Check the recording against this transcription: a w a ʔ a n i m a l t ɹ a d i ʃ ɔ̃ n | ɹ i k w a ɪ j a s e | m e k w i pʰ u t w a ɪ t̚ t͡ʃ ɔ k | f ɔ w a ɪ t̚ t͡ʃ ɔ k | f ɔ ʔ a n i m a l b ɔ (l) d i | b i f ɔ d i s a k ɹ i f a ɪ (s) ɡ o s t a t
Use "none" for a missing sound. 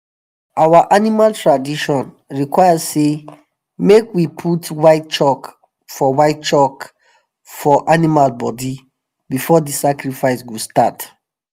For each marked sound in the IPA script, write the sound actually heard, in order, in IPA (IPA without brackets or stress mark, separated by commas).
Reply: none, s